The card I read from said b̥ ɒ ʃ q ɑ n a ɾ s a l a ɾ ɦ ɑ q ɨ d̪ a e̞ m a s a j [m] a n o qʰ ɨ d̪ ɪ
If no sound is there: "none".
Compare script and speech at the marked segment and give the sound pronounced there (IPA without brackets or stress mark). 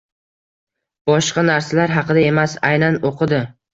n